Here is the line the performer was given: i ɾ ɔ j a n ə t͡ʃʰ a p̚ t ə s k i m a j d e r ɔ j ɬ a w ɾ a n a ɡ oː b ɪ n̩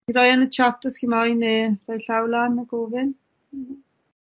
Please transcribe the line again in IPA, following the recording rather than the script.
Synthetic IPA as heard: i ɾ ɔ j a n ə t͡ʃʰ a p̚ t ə s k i m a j n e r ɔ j ɬ a w l a n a ɡ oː v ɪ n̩